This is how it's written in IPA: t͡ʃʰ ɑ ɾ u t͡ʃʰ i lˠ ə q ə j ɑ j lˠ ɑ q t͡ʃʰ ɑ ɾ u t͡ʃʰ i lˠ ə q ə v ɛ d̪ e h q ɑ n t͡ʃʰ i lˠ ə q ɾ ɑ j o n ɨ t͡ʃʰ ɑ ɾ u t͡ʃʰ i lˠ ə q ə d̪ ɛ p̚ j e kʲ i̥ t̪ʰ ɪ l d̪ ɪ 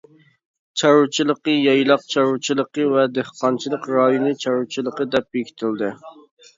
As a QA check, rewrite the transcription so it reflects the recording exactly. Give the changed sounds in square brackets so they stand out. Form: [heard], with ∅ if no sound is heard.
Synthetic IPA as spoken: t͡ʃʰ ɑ ɾ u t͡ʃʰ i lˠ ə q ə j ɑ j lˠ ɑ q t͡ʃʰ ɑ ɾ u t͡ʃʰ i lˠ ə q ə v ɛ d̪ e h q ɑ n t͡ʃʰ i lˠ ə q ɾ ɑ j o n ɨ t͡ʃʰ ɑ ɾ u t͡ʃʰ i lˠ ə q ə d̪ ɛ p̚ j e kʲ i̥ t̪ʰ ɪ l d̪ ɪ